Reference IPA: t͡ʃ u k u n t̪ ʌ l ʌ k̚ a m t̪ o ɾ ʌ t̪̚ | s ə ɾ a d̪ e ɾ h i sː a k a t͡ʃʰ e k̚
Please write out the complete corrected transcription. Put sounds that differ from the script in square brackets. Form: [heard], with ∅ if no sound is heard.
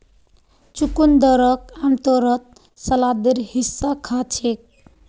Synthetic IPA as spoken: t͡ʃ u k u n [d̪] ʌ [ɾ] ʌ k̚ a m t̪ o ɾ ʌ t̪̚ | s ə [l] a d̪ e ɾ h i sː a [kʰ] a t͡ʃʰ e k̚